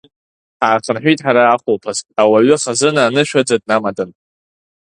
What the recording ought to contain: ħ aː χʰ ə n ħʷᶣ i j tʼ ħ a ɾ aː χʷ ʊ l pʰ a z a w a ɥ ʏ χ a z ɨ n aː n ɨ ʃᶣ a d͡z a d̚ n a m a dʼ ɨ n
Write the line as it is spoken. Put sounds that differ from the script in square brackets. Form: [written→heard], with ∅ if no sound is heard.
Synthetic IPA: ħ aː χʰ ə n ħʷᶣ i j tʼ ħ a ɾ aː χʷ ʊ l pʰ a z a w a ɥ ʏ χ a z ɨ n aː n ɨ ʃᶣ a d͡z a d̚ n a m a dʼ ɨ n

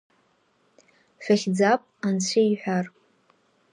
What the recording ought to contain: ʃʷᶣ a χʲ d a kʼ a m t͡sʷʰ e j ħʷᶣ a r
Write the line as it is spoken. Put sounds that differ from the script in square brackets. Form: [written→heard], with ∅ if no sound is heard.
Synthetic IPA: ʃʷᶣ a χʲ [d→d͡z] a [kʼ→pʼ] a [m→n] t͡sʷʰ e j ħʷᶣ a r

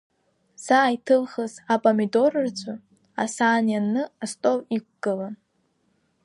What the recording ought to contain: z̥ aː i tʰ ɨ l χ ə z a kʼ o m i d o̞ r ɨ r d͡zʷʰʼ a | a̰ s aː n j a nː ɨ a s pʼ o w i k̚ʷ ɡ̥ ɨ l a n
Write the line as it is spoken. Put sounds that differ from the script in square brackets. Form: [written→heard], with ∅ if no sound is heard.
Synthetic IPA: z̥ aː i tʰ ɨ l χ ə z a [kʼ→pʼ] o m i d o̞ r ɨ r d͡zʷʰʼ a | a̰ s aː n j a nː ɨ a s [pʼ→tʼ] o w i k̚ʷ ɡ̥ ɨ l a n

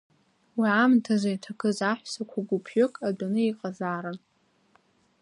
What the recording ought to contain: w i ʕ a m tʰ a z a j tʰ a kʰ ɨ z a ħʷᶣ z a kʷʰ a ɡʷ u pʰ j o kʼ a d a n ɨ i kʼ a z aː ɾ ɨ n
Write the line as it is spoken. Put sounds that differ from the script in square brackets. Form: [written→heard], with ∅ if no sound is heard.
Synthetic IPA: w i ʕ a m tʰ a z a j tʰ a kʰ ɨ z a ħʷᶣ [z→s] a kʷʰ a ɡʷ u pʰ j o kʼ a d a n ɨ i [kʼ→qʼ] a z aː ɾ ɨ n

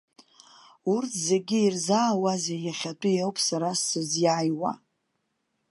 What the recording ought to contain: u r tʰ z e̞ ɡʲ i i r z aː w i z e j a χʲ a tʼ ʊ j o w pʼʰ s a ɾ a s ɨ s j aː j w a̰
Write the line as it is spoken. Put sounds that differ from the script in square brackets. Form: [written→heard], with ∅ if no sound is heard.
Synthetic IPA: u r tʰ z e̞ ɡʲ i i r z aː w [i→a] z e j a χʲ a tʼ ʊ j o w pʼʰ s a ɾ a s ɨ [s→z] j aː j w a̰

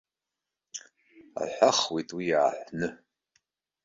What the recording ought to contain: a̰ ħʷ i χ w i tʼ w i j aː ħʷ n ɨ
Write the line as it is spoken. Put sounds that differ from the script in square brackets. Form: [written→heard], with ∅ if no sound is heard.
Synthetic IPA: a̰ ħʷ [i→a] χ w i tʼ w i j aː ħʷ n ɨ

